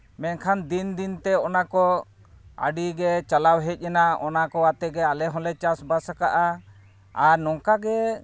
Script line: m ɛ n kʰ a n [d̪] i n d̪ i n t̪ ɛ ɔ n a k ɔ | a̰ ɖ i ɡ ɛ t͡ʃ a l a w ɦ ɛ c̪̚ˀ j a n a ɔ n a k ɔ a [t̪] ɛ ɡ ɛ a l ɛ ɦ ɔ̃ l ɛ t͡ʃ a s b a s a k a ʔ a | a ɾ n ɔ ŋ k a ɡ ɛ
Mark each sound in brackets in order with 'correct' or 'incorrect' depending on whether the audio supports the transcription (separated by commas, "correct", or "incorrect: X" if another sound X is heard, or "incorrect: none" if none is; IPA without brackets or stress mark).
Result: correct, correct